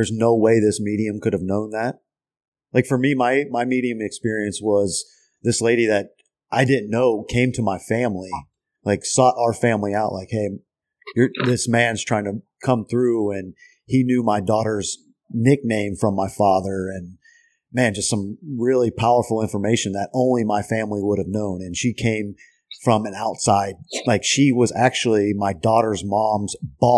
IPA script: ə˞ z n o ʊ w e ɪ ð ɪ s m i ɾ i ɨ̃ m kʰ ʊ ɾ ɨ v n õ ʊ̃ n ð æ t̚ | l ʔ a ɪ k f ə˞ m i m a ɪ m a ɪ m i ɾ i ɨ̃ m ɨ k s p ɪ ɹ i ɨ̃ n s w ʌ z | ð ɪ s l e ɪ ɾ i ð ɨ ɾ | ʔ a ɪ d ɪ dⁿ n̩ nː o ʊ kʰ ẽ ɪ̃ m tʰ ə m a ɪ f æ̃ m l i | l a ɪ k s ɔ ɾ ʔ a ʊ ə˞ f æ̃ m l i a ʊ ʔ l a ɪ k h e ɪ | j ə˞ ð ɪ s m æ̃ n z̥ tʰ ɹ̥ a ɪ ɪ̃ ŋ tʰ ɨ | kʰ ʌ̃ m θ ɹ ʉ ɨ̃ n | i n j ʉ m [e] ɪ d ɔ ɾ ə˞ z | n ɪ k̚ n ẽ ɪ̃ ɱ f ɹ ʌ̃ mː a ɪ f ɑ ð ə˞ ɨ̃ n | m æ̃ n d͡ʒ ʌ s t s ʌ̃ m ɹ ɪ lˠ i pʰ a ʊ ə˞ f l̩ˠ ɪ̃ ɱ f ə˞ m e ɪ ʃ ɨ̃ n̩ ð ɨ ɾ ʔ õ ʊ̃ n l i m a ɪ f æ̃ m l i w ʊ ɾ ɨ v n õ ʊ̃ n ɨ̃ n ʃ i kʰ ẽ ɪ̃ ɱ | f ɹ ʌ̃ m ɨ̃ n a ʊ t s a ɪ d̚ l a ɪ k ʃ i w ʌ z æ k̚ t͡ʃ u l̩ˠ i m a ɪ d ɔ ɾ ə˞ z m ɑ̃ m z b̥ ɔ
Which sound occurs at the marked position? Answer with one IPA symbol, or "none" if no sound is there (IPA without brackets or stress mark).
a